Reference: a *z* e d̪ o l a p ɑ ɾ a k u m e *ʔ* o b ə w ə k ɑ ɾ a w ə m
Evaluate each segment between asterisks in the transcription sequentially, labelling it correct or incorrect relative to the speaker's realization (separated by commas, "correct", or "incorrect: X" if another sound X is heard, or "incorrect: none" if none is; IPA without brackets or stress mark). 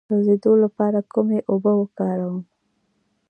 correct, correct